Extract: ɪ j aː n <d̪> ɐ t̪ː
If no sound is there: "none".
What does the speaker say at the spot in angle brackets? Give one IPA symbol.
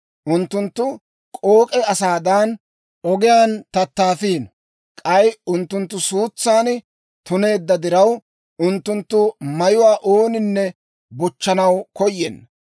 t̪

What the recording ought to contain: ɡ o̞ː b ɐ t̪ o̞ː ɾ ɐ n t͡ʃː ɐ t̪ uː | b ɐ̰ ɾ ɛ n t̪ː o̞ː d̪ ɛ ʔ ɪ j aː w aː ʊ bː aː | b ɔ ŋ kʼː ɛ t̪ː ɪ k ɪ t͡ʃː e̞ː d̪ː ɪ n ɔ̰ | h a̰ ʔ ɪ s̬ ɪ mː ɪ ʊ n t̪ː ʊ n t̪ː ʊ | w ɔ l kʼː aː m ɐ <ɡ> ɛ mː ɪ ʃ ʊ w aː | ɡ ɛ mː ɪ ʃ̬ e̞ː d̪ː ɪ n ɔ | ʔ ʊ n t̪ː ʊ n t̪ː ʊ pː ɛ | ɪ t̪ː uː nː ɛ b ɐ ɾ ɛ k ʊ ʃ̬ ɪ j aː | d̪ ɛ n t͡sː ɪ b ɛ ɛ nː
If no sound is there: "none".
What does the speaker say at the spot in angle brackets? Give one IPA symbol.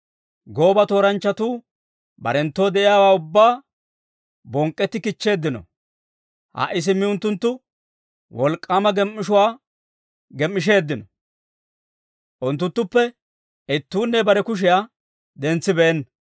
ɡ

